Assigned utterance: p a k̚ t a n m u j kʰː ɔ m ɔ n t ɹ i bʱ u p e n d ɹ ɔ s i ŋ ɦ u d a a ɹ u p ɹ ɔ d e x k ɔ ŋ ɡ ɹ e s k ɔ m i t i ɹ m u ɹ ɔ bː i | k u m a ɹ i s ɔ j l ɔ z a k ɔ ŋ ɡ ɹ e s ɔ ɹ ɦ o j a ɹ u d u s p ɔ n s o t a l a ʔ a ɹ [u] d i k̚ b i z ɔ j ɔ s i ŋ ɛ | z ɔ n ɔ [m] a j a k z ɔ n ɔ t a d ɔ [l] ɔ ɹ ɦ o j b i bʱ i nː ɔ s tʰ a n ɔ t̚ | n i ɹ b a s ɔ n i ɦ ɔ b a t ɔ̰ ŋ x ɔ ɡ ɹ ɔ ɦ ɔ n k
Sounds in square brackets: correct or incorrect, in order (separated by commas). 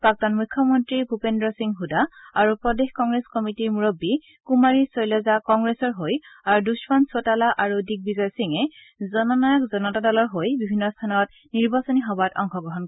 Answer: correct, incorrect, correct